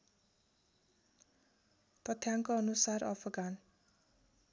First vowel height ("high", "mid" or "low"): mid